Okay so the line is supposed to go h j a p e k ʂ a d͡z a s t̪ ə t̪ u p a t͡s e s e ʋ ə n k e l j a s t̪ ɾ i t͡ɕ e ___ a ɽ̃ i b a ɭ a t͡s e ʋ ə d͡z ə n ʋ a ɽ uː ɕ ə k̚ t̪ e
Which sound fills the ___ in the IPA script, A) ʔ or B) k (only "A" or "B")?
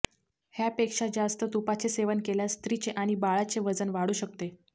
A